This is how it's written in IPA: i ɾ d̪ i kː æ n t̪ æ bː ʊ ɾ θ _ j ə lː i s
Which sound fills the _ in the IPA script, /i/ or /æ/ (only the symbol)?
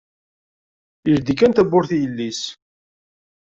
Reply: i